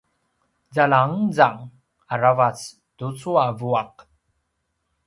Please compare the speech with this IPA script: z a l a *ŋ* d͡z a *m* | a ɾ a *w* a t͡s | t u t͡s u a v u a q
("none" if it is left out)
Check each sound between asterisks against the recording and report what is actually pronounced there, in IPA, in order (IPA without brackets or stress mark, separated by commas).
ŋ, ŋ, v